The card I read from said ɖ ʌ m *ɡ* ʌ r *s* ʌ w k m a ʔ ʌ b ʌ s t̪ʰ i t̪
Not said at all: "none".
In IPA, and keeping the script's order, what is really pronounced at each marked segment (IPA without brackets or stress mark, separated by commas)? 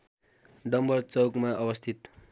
b, t͡s